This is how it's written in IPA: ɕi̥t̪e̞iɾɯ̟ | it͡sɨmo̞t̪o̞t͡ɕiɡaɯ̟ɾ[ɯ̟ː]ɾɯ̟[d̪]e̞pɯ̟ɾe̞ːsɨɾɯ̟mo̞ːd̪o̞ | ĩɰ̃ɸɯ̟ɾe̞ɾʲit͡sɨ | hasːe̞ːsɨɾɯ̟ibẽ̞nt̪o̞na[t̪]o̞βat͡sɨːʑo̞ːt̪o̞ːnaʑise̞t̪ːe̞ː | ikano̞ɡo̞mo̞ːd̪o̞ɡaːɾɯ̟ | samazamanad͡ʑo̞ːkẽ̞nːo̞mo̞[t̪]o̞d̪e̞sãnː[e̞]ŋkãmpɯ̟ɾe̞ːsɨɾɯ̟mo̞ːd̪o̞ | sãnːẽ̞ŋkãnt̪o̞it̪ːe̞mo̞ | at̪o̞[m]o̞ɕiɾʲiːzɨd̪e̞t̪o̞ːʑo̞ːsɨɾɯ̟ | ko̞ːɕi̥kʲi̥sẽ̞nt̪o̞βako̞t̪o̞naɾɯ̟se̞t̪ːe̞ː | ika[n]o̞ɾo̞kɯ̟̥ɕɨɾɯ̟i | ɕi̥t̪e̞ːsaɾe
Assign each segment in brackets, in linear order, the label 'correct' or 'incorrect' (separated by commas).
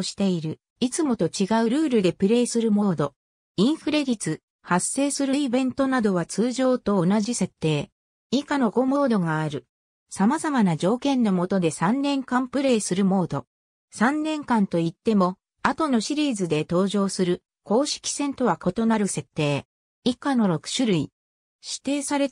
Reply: correct, correct, incorrect, correct, incorrect, incorrect, correct